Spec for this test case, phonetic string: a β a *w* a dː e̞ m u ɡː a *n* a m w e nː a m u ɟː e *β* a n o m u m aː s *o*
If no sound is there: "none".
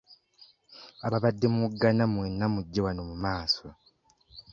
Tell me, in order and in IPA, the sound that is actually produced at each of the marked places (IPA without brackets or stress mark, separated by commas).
β, n, w, o